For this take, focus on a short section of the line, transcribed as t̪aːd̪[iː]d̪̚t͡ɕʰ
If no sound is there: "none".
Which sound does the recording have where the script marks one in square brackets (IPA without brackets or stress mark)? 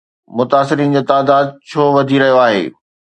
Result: aː